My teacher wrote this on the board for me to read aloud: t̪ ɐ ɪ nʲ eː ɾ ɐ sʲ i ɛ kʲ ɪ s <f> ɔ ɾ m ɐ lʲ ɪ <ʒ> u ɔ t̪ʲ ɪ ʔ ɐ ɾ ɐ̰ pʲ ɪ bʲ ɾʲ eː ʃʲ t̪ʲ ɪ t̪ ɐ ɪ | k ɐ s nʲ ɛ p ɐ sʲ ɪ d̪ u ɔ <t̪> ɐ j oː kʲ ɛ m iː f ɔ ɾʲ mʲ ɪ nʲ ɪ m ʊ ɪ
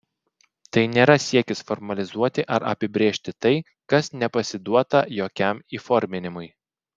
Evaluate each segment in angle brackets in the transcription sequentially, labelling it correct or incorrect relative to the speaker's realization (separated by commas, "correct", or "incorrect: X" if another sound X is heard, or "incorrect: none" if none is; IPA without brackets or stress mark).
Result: correct, incorrect: z, correct